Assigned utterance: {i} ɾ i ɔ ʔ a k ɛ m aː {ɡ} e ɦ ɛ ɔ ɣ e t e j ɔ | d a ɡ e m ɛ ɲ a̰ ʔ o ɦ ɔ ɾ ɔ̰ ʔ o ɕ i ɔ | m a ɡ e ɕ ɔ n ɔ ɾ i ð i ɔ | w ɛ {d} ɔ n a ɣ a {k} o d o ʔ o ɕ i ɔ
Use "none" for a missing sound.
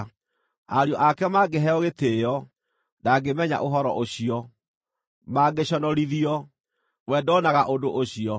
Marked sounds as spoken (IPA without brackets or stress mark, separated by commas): a, ɡ, d, ʔ